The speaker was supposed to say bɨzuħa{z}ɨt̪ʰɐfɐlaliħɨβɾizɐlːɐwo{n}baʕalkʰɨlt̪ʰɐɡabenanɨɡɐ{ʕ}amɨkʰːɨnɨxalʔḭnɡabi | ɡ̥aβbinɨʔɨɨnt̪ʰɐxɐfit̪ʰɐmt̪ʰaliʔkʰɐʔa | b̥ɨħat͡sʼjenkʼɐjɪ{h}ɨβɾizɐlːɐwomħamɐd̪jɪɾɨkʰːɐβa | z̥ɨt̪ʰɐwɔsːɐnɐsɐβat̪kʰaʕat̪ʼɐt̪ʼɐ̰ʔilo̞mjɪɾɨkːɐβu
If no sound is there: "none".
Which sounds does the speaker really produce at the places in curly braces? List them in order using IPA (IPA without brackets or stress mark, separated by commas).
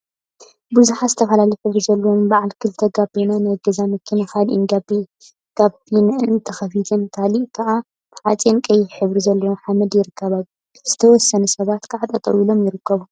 z, m, z, ħ